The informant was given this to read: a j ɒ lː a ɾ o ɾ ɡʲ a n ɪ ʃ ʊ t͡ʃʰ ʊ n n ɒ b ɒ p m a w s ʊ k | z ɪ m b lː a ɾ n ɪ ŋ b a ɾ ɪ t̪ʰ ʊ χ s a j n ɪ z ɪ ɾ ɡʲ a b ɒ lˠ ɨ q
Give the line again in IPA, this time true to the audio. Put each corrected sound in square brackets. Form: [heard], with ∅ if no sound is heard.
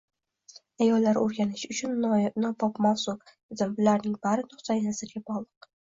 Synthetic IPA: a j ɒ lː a ɾ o ɾ ɡʲ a n ɪ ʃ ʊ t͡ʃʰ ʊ n n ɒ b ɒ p m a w s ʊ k | z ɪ m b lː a ɾ n ɪ ŋ b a ɾ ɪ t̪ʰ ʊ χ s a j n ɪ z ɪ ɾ ɡʲ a b ɒ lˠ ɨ q